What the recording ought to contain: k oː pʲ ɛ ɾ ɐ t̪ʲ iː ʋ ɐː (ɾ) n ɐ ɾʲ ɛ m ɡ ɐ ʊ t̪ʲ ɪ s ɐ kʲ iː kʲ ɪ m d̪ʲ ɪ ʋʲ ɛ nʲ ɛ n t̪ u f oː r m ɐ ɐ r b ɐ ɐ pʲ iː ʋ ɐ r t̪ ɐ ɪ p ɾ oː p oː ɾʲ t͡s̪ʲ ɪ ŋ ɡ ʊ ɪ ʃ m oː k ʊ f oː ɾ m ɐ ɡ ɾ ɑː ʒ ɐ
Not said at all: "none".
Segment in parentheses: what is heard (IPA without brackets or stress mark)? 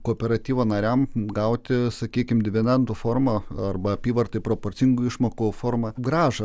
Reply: none